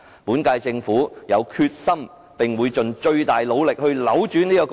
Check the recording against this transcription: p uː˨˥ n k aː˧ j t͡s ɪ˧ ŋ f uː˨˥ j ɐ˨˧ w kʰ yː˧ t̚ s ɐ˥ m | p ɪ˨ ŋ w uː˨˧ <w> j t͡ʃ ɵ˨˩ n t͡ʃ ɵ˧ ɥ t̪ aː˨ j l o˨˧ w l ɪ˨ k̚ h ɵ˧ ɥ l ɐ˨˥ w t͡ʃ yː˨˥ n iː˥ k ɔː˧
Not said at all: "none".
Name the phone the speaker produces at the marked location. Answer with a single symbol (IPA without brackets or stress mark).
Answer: none